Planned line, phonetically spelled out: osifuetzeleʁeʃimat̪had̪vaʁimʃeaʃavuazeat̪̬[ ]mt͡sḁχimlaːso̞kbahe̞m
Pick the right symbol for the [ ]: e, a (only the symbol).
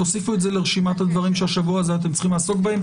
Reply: e